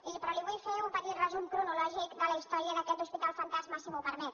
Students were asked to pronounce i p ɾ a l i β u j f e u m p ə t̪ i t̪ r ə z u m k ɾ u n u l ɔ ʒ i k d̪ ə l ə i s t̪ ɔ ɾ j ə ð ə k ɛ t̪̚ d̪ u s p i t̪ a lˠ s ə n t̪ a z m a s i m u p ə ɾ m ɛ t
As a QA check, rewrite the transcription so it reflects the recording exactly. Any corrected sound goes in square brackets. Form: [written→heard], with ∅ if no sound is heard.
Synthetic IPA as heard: i p ɾ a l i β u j f e u m p ə t̪ i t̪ r ə z u m k ɾ u n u l ɔ ʒ i k d̪ ə l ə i s t̪ ɔ ɾ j ə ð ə k ɛ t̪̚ d̪ u s p i t̪ a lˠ [s→f] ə n t̪ a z m a s i m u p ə ɾ m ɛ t